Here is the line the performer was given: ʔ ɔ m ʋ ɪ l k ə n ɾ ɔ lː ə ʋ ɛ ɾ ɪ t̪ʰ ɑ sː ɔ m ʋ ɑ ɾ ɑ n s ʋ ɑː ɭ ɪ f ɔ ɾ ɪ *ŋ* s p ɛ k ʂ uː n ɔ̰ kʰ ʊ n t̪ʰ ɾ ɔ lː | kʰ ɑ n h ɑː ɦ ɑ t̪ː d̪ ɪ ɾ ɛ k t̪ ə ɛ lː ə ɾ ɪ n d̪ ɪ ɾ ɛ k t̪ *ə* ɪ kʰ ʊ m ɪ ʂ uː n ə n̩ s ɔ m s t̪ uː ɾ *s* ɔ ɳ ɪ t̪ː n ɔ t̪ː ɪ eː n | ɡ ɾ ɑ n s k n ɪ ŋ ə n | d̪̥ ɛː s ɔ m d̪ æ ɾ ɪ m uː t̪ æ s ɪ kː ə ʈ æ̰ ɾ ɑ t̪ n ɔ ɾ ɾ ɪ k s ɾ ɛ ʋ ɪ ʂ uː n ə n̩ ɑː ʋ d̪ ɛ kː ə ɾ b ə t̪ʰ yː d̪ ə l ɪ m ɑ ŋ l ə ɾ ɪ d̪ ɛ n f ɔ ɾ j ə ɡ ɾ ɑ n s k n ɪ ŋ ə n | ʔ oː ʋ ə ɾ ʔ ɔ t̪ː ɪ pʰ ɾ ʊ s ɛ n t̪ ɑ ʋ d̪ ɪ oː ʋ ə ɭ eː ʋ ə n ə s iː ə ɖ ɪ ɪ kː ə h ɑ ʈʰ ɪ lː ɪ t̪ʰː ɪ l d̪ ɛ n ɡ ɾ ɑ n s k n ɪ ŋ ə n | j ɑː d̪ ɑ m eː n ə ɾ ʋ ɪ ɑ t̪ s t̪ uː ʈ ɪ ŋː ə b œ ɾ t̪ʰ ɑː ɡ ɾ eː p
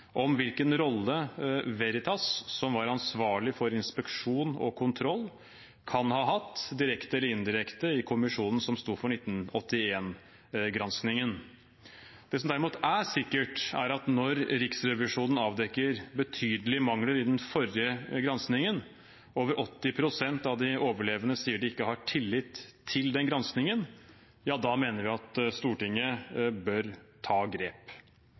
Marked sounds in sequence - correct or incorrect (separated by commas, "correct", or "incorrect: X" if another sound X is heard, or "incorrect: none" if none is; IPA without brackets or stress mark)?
incorrect: n, correct, incorrect: f